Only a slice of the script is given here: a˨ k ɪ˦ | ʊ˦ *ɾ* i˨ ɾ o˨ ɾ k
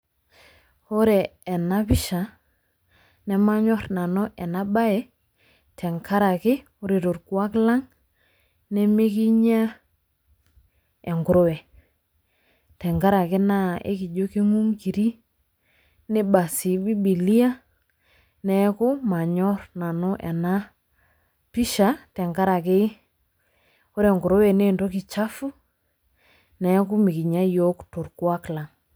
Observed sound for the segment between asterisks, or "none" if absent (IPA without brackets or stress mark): ɾ